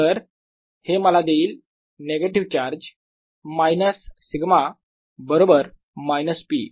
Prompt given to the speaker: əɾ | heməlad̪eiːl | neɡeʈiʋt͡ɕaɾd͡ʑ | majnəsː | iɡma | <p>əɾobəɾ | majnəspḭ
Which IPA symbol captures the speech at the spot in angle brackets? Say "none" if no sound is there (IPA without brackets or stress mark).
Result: b